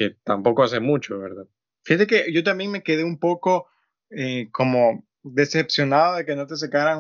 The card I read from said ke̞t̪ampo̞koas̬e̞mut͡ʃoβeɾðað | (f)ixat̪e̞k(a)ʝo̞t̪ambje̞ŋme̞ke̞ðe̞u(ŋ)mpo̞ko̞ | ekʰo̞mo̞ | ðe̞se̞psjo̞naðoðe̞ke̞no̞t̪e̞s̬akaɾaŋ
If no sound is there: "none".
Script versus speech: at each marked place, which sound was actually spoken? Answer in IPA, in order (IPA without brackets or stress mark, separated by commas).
f, e, none